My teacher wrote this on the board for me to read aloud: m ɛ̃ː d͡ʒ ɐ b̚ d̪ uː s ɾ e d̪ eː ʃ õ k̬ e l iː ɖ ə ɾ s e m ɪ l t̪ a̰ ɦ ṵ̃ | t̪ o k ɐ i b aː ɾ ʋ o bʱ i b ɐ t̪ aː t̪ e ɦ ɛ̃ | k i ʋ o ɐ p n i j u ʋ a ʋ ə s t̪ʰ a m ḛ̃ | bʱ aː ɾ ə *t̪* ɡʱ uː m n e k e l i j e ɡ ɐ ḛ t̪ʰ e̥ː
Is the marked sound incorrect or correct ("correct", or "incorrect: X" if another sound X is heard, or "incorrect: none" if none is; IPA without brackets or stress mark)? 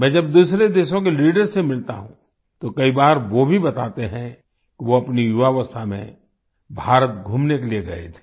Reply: correct